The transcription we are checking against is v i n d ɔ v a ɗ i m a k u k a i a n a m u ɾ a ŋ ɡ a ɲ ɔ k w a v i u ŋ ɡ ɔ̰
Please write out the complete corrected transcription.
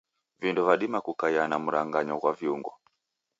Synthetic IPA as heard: v i n d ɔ v a ɗ i m a k u k a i a n a m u ɾ a ŋ ɡ a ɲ ɔ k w a v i u ŋ ɡ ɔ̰